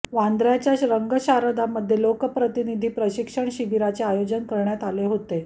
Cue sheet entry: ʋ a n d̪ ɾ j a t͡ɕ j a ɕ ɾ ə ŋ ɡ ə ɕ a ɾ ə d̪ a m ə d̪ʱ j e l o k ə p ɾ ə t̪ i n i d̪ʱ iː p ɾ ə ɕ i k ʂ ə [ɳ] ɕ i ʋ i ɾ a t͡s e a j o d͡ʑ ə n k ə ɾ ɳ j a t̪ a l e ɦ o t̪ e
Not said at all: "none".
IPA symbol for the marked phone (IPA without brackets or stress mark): ɳ